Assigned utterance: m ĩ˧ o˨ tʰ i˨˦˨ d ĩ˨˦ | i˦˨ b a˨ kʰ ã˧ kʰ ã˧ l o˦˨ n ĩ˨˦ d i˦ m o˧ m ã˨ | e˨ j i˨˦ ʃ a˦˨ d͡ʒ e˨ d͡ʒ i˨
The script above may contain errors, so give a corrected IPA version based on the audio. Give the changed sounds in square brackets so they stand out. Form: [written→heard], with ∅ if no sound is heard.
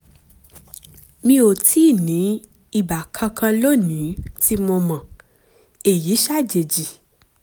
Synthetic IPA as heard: m ĩ˧ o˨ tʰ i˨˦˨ [d→n] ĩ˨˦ | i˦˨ b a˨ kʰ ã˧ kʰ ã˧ l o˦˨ n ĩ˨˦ [d→t] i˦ m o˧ m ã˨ | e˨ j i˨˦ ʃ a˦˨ d͡ʒ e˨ d͡ʒ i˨